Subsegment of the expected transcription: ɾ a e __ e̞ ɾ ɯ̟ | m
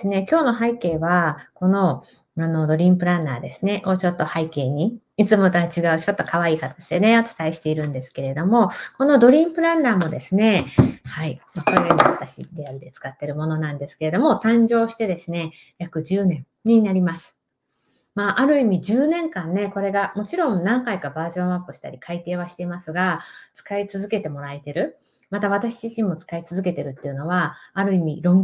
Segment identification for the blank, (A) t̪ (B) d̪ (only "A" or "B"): A